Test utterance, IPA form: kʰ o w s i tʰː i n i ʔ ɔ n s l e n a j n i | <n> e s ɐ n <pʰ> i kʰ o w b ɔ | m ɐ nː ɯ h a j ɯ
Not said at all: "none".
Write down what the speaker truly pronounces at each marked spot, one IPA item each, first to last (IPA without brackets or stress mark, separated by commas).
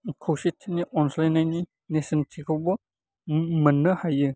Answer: n, tʰ